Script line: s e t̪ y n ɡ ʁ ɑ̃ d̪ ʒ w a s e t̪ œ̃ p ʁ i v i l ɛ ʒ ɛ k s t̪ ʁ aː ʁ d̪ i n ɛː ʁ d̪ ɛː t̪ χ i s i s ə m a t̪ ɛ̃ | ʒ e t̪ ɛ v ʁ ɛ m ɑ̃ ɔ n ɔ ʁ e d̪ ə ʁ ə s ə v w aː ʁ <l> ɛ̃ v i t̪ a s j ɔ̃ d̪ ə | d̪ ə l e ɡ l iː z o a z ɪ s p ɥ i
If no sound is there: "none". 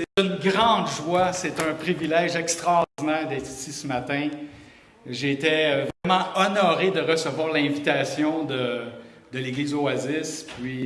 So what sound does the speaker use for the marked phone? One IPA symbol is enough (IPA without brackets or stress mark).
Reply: l